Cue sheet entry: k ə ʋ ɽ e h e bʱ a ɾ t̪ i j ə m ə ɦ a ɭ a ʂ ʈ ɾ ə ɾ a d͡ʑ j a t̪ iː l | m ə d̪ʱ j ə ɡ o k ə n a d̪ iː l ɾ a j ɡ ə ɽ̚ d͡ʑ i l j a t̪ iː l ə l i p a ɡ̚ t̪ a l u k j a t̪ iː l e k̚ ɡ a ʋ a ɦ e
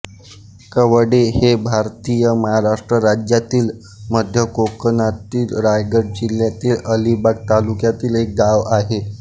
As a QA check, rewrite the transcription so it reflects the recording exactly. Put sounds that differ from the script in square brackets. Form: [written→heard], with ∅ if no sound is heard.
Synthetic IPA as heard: k ə ʋ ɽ e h e bʱ a ɾ t̪ i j ə m ə ɦ a [ɭ→ɾ] a ʂ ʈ ɾ ə ɾ a d͡ʑ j a t̪ iː l | m ə d̪ʱ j ə [ɡ→k] o k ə n a [d̪→t̪] iː l ɾ a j ɡ ə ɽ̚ d͡ʑ i l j a t̪ iː l ə l i [p→b] a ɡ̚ t̪ a l u k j a t̪ iː l e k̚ ɡ a ʋ a ɦ e